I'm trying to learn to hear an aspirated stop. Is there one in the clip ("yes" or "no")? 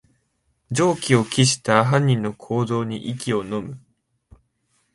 yes